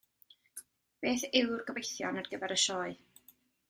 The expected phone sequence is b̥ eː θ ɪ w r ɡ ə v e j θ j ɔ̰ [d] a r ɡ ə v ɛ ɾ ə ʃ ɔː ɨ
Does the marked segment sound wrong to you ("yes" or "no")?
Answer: yes